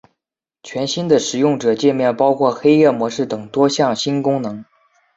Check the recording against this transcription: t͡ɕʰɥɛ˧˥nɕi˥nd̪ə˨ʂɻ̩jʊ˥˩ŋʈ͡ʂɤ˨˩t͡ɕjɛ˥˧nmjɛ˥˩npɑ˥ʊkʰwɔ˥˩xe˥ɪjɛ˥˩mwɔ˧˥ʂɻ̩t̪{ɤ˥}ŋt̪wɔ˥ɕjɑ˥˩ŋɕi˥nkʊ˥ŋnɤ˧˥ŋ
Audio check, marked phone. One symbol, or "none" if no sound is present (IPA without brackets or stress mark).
ɤ˨˩